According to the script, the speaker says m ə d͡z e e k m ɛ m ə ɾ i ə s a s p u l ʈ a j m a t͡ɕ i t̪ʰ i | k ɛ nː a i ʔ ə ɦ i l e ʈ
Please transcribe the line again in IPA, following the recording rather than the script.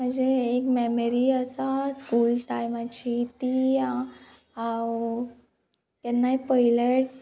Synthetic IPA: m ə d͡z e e k m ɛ m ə ɾ i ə s a s k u l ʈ a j m a t͡ɕ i t̪ i | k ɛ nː a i p ə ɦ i l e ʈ